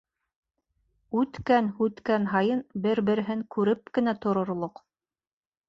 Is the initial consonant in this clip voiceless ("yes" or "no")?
yes